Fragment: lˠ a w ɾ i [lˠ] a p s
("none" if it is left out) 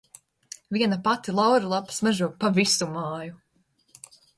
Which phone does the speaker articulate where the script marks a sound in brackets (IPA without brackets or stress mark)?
lˠ